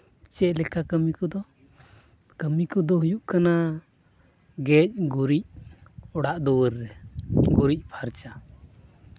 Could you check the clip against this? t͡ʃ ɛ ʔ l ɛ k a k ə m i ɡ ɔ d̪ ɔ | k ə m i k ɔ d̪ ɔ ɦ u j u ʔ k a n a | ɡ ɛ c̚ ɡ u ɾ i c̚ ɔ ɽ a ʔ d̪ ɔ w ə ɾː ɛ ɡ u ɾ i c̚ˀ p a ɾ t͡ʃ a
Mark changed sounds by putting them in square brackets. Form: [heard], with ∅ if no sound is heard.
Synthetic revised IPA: t͡ʃ ɛ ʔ l ɛ k a k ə m i [k] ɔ d̪ ɔ | k ə m i k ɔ d̪ ɔ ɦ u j u ʔ k a n a | ɡ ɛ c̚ ɡ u ɾ i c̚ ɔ ɽ a ʔ d̪ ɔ w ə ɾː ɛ ɡ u ɾ i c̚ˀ [pʰ] a ɾ t͡ʃ a